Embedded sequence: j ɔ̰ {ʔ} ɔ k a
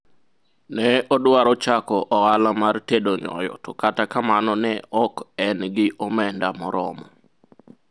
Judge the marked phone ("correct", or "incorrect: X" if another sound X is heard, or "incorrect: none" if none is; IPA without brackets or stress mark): incorrect: t